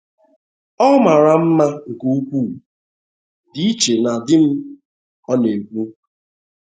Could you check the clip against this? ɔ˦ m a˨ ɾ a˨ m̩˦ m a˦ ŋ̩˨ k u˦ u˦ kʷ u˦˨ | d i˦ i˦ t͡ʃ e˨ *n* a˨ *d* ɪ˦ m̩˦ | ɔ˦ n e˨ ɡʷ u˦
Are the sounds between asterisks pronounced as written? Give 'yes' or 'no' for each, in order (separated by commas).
yes, yes